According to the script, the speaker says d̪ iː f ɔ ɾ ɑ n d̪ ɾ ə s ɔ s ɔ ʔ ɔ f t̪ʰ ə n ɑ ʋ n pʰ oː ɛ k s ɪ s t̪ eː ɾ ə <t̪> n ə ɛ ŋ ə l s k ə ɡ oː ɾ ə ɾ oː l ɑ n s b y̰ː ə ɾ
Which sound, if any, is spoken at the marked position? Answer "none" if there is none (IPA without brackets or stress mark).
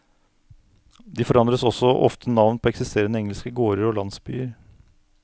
none